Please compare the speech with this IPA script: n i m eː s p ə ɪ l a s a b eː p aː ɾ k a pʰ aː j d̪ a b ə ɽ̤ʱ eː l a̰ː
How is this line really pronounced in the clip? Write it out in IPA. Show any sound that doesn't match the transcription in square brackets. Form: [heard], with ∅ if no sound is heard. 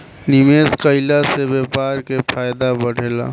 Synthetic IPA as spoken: n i m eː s [k] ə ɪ l a s [e] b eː p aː ɾ k [e] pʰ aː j d̪ a b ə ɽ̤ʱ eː l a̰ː